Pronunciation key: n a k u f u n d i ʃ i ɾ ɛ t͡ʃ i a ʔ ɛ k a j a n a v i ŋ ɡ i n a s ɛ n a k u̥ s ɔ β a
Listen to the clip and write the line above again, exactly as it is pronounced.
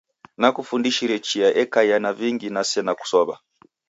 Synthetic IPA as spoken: n a k u f u n d i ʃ i ɾ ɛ t͡ʃ i a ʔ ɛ k a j a n a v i ŋ ɡ i n a s ɛ n a k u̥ s ɔ β a